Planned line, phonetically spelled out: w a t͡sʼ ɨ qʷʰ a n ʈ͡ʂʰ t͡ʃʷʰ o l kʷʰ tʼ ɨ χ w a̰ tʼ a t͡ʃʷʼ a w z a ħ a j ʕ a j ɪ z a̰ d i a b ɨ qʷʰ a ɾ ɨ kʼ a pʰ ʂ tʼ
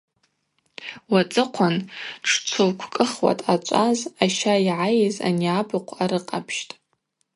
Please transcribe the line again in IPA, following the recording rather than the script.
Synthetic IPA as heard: w a t͡sʼ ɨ qʷʰ a n ʈ͡ʂʰ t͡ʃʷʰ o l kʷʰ kʼ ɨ χ w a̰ tʼ a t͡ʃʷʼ a z a ʃ a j ʕ a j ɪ z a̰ n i a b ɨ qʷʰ a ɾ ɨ qʼ a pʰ ʃ tʼ